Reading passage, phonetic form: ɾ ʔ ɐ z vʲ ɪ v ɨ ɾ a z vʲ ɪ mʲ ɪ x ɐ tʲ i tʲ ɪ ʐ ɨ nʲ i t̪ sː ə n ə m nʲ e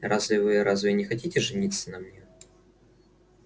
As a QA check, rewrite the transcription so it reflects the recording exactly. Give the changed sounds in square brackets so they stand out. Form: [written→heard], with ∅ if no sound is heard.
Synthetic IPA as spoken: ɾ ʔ [ɐ→a] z vʲ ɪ v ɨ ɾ a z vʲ ɪ [mʲ→nʲ] ɪ x ɐ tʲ i tʲ ɪ ʐ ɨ nʲ i t̪ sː ə n [ə→ɐ] m nʲ e